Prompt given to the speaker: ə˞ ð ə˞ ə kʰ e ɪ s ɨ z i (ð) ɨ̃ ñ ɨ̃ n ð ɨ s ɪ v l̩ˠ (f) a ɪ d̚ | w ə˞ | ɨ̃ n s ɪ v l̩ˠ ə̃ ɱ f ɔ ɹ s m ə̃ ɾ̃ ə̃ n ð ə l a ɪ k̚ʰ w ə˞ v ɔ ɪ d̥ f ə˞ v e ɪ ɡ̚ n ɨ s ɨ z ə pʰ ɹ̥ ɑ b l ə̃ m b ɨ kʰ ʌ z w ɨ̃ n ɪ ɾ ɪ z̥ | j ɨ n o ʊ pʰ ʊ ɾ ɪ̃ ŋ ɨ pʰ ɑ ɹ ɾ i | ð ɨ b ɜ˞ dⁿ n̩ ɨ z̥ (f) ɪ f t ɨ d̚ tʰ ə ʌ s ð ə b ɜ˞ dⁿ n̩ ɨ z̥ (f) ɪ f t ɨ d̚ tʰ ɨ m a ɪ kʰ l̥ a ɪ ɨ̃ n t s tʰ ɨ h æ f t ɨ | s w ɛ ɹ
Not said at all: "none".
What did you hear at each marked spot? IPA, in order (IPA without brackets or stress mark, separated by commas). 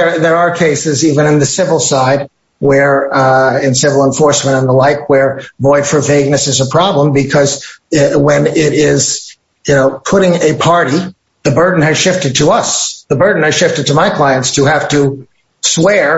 v, s, ʃ, ʃ